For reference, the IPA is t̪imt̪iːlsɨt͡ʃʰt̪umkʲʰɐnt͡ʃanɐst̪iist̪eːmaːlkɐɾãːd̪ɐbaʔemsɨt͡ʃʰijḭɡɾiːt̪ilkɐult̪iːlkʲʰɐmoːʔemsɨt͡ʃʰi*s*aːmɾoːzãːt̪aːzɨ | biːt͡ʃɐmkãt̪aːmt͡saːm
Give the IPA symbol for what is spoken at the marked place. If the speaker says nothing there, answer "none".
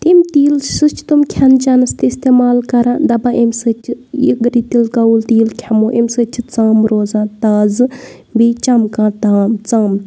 t͡s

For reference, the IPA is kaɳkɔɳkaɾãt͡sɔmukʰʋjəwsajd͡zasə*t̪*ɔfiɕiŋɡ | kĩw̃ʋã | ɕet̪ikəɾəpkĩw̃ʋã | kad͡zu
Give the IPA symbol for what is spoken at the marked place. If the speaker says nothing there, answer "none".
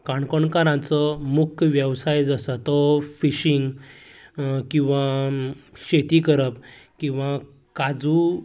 t̪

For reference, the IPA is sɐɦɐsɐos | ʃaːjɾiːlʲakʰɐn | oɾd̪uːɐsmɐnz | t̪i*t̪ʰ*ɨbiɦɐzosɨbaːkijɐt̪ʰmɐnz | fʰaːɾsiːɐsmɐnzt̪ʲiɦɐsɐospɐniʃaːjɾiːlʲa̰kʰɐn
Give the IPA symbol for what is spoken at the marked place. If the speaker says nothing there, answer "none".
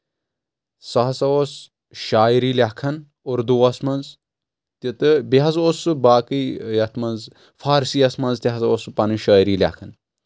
t̪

